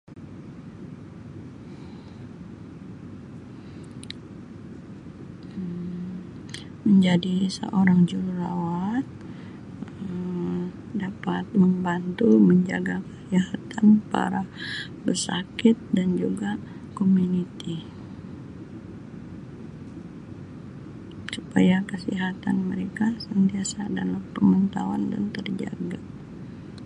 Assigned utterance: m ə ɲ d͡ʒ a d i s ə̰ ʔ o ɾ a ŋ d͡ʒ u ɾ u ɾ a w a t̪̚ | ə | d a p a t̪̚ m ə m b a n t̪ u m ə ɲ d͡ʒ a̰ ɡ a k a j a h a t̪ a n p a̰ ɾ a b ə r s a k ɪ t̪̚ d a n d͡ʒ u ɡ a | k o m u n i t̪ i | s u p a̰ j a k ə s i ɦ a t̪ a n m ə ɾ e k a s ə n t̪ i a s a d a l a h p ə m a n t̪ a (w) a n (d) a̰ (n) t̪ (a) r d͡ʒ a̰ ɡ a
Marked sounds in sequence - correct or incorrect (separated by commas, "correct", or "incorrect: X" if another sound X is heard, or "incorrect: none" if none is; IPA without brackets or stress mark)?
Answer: correct, correct, correct, incorrect: ə